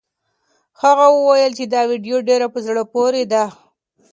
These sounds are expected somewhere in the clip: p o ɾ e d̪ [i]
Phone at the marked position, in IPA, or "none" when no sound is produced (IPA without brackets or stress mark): a